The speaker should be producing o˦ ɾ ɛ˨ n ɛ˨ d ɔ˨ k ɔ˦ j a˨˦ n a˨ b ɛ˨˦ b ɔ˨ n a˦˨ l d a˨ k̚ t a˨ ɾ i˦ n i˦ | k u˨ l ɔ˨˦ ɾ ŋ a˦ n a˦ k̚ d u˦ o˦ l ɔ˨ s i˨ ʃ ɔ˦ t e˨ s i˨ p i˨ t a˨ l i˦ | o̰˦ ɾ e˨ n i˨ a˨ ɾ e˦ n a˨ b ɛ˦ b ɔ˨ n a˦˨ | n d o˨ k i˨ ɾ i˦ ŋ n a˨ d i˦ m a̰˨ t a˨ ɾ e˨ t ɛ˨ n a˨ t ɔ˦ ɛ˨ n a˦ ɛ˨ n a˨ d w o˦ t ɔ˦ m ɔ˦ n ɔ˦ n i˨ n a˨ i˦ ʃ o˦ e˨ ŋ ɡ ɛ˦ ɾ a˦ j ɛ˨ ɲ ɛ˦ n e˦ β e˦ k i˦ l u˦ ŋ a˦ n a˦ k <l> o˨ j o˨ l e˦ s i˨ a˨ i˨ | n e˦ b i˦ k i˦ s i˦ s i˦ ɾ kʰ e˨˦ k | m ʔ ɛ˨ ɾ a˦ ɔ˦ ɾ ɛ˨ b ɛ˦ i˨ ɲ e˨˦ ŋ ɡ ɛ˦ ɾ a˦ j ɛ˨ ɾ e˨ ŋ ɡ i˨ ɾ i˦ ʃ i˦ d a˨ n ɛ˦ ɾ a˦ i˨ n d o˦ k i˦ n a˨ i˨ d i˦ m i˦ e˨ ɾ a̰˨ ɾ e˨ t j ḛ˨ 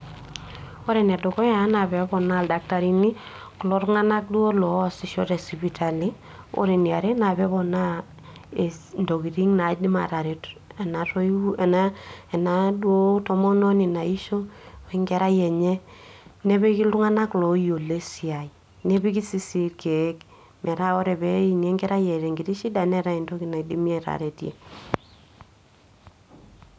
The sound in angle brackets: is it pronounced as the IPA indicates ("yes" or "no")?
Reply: yes